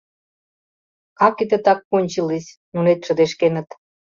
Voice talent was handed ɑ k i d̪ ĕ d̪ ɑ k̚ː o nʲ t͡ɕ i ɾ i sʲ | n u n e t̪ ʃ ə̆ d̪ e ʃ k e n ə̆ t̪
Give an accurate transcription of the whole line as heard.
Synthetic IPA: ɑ k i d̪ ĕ t̪ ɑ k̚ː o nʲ t͡ɕ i l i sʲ | n u n e t̪ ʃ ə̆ d̪ e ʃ k e n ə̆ t̪